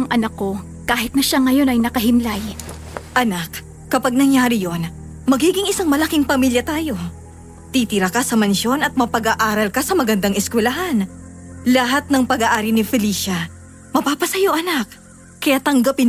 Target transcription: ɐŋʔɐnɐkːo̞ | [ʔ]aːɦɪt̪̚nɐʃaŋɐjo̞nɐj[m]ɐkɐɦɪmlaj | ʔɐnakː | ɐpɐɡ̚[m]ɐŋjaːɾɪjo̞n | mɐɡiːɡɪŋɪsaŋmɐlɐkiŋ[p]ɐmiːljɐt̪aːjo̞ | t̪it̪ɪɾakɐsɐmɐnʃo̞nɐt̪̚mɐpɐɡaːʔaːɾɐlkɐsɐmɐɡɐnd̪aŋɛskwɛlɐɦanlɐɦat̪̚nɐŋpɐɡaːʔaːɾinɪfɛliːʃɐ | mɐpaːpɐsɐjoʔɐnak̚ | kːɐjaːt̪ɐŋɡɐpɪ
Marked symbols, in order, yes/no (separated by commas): no, no, no, yes